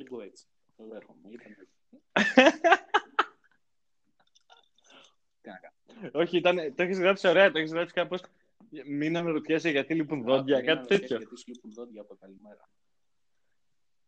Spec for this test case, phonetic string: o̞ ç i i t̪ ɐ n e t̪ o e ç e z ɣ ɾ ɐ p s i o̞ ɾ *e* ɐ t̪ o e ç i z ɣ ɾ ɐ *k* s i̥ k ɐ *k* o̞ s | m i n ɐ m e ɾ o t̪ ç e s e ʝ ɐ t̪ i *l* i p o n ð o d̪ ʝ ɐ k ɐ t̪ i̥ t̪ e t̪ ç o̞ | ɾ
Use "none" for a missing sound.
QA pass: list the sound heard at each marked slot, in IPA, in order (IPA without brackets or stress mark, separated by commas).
e, p, p, l